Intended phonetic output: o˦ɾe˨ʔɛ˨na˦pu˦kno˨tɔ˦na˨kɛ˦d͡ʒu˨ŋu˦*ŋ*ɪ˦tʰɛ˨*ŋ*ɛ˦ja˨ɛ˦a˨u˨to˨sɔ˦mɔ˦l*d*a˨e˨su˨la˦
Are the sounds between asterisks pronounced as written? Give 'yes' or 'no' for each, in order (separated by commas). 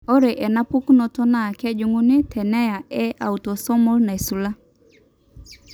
no, no, no